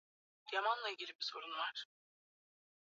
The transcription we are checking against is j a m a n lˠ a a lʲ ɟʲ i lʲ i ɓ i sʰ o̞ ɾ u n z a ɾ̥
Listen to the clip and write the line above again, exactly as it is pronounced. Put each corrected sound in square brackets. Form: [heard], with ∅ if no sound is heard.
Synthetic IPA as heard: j a m a n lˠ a [i] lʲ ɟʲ i lʲ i [b] i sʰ o̞ ɾ u n [v] a ɾ̥